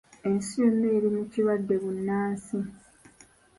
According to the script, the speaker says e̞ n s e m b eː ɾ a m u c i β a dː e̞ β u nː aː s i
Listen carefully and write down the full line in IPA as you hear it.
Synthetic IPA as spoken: e̞ n s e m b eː ɾ i m u c i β a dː e̞ β u nː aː s i